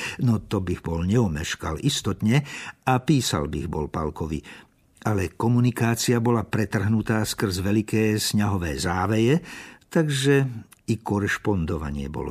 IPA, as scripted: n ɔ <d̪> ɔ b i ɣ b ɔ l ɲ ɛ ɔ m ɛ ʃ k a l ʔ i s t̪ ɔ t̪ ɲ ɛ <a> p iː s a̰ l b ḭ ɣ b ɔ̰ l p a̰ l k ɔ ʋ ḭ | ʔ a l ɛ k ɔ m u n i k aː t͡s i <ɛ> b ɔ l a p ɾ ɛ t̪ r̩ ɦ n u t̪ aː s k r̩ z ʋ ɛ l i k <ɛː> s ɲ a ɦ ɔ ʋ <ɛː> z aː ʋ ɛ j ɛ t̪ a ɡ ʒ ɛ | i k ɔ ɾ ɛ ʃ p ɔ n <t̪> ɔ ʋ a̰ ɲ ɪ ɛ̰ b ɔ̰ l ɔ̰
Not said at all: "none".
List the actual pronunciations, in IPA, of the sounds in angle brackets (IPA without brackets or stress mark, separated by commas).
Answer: t̪, a, a, ɛː, ɛː, d̪